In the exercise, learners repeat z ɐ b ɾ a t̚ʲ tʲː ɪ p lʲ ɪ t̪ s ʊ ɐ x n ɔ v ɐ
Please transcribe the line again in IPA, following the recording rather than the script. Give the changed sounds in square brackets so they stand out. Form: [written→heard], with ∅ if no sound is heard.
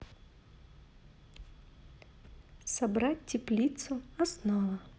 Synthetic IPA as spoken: [z→s] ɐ b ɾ a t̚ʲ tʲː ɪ p lʲ [ɪ→i] t̪ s ʊ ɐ [x→s] n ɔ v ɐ

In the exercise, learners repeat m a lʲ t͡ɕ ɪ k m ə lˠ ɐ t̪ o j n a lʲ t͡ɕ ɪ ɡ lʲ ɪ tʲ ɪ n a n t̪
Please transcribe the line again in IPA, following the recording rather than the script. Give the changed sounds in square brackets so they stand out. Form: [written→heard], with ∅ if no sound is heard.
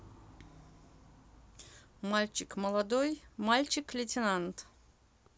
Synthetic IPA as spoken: m a lʲ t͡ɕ ɪ k m ə lˠ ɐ [t̪→d̪] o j [n→m] a lʲ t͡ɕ ɪ [ɡ→k] lʲ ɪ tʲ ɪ n a n t̪

